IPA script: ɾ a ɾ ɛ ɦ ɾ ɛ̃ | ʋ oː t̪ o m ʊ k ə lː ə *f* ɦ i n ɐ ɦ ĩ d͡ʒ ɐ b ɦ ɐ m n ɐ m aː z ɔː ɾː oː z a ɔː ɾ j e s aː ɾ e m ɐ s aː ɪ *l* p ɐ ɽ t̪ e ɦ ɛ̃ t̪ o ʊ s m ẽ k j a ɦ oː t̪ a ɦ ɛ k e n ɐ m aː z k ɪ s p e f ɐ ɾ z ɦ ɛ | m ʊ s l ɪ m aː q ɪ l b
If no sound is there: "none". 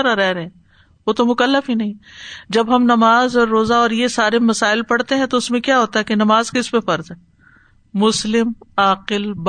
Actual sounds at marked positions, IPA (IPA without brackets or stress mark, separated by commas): f, l